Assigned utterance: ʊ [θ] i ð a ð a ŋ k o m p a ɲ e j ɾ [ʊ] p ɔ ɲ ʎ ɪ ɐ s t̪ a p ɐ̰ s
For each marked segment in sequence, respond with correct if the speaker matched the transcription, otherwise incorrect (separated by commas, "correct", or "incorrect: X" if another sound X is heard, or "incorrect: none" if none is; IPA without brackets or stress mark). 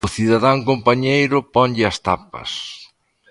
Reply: correct, correct